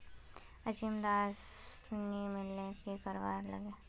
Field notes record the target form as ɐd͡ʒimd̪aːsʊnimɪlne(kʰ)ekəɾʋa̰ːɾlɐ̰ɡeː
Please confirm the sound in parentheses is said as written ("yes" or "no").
no